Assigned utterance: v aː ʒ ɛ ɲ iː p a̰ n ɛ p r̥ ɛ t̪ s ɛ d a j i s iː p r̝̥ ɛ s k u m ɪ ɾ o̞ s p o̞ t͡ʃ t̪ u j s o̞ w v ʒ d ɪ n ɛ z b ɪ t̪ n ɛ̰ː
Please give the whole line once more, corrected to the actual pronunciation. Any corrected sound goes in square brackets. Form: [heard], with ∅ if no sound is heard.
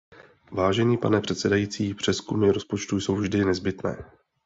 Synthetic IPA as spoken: v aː ʒ ɛ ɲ iː p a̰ n ɛ p r̥ ɛ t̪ s ɛ d a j i [t͡s] iː p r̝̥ ɛ s k u m ɪ ɾ o̞ s p o̞ t͡ʃ t̪ u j s o̞ w v ʒ d ɪ n ɛ z b ɪ t̪ n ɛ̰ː